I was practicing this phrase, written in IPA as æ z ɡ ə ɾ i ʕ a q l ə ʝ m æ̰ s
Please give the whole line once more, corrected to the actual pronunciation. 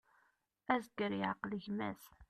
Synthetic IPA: æ z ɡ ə ɾ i ʕ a q l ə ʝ m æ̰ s